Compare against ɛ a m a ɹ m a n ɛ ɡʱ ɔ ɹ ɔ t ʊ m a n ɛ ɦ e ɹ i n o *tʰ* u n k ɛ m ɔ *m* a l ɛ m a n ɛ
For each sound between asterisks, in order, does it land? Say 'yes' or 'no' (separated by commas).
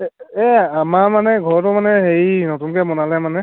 no, no